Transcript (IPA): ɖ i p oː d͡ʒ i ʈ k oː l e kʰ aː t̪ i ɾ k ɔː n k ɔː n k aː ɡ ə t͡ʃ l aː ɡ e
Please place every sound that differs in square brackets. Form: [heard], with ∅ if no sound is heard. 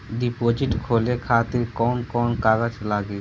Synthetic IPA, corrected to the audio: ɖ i p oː d͡ʒ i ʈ [kʰ] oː l e kʰ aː t̪ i ɾ k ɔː n k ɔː n k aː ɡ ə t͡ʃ l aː ɡ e